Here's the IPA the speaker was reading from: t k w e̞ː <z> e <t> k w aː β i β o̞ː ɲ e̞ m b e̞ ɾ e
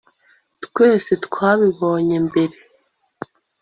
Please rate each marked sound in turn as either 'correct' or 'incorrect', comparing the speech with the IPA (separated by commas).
incorrect, correct